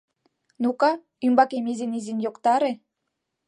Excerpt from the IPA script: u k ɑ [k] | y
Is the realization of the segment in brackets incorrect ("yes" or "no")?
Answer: yes